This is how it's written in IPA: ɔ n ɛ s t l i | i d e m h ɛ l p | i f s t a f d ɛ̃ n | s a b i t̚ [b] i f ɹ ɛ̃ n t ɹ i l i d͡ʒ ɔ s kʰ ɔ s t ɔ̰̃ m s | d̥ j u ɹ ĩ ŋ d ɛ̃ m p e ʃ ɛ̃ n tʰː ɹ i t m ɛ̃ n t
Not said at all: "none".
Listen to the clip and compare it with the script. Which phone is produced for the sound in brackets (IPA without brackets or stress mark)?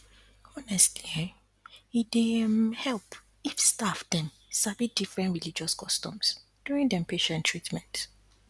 d